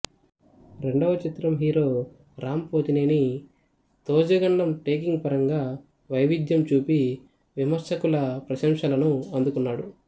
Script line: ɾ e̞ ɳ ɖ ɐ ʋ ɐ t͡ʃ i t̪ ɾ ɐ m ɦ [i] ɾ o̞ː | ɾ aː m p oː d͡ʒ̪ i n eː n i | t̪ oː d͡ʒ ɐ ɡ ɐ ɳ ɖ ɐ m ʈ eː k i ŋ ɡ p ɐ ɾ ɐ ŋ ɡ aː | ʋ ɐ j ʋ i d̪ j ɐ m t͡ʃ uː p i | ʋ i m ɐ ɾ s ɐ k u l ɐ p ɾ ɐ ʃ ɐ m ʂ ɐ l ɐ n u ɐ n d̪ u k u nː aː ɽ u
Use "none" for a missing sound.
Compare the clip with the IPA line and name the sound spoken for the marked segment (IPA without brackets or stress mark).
iː